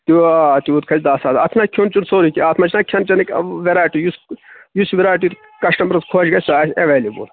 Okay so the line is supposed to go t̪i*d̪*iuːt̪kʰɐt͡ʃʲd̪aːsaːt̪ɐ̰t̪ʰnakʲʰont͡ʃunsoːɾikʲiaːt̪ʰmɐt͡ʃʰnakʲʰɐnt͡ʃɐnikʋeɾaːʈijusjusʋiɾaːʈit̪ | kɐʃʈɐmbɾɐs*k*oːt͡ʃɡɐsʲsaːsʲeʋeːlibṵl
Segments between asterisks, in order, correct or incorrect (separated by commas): incorrect, incorrect